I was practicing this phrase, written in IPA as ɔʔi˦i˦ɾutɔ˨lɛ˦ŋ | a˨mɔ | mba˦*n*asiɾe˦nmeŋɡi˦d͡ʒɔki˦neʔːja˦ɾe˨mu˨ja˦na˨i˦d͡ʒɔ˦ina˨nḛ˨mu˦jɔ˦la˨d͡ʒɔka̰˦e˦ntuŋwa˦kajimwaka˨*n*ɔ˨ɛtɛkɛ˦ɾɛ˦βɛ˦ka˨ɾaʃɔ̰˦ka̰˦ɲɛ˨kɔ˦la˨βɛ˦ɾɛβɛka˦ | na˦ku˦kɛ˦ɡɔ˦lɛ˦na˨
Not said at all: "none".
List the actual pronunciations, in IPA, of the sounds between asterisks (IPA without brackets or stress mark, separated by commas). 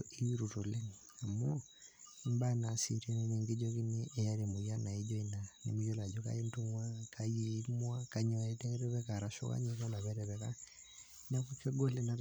n, ɲ